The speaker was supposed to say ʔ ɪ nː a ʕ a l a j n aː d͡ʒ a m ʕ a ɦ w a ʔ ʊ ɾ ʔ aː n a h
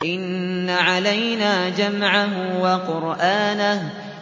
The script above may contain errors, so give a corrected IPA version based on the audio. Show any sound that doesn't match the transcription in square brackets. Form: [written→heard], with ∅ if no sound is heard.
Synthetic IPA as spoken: ʔ ɪ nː a ʕ a l a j n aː d͡ʒ a m ʕ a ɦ w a [ʔ→q] ʊ ɾ ʔ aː n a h

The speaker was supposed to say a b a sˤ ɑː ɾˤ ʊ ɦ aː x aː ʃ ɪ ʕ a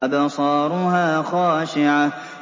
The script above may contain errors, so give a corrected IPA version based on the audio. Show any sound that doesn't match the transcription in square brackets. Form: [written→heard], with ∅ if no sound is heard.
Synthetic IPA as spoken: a b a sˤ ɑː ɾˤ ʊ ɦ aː x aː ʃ ɪ ʕ a

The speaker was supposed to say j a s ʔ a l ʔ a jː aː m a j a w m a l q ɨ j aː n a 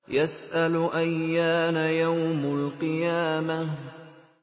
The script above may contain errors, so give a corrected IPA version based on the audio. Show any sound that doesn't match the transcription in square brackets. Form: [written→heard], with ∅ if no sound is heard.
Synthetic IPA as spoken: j a s ʔ a l ʔ a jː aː [m→n] a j a w m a l q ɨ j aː [n→m] a

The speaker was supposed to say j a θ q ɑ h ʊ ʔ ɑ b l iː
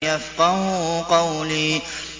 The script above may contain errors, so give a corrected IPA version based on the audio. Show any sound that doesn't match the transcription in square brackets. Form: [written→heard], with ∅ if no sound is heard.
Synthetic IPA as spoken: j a [θ→f] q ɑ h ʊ [ʔ→q] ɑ [b→w] l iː

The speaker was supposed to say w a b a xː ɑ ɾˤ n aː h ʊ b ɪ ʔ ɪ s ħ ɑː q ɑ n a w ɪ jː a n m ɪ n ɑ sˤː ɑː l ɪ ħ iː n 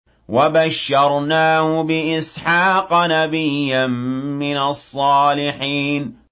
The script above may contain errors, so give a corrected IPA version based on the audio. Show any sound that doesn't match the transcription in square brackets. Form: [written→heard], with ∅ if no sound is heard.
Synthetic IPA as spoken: w a b a [xː→ʃː] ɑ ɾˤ n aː h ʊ b ɪ ʔ ɪ s ħ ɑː q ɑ n a [w→b] ɪ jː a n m ɪ n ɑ sˤː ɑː l ɪ ħ iː n

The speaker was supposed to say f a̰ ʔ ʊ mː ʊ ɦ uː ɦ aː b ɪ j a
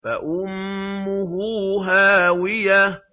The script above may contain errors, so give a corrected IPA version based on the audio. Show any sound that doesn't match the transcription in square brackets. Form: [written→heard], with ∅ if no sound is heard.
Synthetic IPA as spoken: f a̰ ʔ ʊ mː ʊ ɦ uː ɦ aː [b→w] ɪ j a

